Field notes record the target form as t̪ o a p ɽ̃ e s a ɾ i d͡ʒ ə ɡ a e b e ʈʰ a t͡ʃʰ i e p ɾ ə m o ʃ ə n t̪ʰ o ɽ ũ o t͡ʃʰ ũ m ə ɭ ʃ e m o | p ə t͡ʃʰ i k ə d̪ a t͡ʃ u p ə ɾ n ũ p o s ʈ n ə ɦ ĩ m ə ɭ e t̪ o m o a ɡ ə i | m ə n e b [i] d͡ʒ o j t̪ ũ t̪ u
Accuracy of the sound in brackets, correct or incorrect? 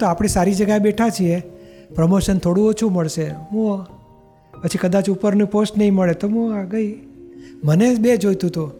incorrect